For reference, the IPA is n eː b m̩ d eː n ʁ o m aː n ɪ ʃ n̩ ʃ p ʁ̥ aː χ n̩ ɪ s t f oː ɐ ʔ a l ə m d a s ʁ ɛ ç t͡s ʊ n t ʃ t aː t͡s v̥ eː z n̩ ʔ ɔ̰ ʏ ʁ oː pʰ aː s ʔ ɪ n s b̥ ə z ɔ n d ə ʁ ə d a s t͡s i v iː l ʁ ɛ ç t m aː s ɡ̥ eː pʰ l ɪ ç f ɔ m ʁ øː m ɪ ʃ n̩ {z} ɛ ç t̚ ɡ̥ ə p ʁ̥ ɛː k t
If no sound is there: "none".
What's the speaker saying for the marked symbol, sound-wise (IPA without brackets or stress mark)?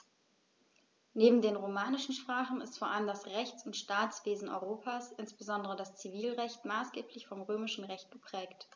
ʁ